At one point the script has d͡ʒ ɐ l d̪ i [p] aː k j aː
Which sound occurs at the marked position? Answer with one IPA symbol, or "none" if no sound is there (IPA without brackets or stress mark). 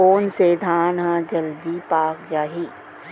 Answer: p